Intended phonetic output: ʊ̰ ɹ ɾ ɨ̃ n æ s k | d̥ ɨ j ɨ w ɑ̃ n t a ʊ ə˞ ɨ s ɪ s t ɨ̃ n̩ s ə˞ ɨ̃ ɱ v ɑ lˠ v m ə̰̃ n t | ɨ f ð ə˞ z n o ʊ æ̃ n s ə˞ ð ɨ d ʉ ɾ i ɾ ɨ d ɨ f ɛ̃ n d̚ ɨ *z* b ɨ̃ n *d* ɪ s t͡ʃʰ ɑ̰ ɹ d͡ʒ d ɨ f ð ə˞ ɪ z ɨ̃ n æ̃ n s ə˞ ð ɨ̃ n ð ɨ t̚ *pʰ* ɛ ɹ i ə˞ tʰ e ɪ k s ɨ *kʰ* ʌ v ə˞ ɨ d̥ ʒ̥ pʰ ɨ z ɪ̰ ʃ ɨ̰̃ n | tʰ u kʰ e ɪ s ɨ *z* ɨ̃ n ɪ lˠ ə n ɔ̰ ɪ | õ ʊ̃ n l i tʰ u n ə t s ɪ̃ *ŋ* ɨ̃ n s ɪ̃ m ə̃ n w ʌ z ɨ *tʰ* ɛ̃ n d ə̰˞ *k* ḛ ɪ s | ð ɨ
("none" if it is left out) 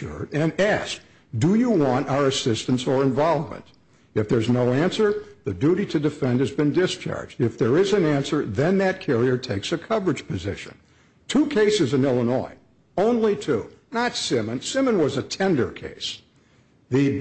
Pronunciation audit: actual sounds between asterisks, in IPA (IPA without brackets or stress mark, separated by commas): z, d, kʰ, kʰ, z, m, tʰ, kʰ